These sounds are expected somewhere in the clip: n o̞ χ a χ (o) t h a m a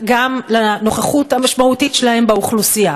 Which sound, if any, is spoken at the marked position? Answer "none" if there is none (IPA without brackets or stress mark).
u